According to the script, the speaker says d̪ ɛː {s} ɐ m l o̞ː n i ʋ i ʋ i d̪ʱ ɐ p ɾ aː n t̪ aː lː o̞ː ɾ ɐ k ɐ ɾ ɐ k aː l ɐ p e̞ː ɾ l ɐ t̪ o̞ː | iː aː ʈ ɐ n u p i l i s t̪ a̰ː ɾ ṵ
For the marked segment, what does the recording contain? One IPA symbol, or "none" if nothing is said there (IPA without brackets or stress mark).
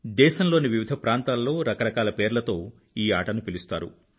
ʃ